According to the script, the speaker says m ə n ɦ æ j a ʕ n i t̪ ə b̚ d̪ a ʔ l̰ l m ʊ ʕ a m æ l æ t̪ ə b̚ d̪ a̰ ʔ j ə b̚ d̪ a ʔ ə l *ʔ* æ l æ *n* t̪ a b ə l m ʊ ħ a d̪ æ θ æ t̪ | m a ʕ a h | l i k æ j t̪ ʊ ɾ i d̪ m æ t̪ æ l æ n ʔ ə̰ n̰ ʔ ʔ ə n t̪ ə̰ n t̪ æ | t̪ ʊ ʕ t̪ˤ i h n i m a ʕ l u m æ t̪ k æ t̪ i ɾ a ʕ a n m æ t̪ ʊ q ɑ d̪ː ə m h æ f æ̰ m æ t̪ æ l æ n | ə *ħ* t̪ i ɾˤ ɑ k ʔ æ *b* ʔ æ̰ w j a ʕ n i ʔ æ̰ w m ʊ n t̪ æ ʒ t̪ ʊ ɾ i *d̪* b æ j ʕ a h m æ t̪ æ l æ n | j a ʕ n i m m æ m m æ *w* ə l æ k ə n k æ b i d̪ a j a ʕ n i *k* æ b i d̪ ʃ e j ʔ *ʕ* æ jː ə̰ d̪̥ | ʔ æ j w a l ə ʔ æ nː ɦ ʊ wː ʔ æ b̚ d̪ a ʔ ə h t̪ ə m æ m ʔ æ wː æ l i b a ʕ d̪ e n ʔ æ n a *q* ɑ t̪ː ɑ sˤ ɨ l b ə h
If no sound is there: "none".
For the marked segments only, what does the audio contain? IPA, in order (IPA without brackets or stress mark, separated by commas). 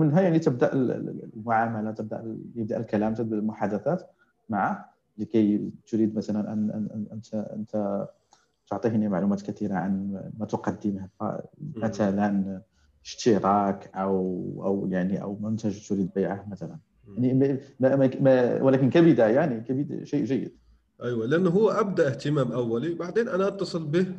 k, m, ʃ, w, d̪, w, k, ʒ, ʔ